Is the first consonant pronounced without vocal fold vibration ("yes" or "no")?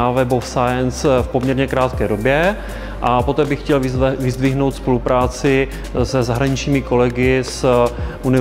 no